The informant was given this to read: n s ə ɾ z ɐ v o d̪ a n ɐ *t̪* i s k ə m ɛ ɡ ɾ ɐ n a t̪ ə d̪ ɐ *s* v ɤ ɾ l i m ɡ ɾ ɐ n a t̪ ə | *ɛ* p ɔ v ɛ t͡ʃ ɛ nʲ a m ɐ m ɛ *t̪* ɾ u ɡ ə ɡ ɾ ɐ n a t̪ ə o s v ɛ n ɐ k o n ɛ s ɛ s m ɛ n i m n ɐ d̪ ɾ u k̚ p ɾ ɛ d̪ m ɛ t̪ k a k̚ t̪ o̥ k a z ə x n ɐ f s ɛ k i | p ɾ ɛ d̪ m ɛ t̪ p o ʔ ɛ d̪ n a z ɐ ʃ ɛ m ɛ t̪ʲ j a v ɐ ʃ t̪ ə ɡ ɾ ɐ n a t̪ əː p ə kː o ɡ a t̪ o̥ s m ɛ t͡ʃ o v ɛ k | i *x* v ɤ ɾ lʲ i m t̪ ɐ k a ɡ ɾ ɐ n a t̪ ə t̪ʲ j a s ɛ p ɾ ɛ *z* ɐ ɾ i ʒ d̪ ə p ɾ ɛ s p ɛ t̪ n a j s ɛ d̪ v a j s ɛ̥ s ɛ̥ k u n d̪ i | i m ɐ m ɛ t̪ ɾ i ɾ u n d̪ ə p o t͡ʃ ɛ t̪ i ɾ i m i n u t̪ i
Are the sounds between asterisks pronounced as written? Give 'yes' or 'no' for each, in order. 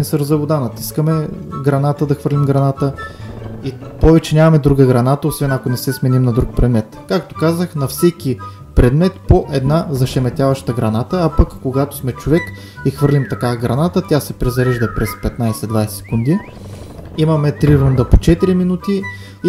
yes, no, no, no, yes, yes

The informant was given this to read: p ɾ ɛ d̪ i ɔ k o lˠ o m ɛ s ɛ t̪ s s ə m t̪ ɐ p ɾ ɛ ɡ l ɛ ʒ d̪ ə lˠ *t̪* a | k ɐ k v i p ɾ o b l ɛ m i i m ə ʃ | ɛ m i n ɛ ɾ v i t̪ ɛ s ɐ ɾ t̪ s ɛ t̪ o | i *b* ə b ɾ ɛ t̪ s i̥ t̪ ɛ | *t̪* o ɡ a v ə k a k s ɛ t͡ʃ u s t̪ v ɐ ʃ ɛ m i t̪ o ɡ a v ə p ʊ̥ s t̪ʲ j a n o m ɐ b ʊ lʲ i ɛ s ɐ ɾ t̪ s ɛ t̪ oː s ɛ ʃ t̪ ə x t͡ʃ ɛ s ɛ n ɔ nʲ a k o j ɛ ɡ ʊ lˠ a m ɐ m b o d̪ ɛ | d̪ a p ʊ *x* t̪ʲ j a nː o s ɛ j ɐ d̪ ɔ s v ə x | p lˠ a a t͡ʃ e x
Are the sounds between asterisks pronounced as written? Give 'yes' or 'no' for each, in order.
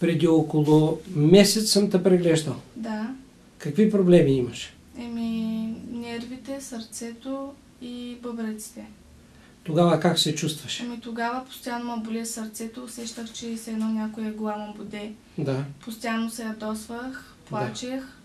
no, yes, yes, no

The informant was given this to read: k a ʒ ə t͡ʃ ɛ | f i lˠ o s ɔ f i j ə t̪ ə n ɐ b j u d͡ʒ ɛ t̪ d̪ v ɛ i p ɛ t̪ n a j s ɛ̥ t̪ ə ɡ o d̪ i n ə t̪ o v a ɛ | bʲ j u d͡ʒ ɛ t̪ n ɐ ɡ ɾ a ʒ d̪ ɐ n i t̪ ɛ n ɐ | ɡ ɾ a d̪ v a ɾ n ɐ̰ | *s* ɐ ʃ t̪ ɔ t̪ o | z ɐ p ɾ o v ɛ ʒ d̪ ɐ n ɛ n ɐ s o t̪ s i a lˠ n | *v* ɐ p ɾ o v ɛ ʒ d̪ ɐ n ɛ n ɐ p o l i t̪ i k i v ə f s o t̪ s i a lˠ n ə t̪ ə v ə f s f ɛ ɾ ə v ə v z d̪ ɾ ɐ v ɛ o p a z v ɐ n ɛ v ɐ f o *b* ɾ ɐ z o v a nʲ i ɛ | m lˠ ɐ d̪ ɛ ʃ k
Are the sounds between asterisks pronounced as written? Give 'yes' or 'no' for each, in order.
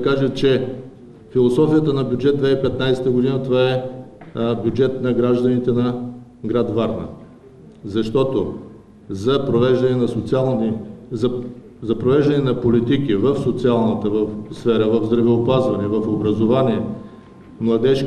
no, no, yes

